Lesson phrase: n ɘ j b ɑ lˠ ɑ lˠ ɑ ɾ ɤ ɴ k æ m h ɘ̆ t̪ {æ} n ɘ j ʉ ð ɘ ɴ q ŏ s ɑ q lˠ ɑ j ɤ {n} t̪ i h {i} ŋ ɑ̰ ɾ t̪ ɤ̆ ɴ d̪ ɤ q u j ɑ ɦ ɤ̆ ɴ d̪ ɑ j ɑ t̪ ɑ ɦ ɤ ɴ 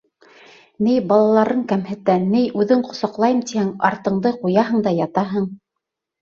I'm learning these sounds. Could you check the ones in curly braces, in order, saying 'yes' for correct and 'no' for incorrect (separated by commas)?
yes, no, no